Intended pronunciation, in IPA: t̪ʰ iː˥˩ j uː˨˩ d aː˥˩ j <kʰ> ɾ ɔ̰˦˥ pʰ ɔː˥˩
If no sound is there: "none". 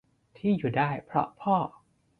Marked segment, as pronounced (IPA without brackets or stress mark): pʰ